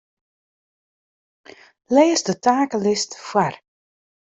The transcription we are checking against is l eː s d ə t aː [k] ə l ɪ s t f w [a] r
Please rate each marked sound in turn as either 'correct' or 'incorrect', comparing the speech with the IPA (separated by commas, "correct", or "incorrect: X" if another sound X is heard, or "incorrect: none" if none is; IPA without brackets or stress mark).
correct, correct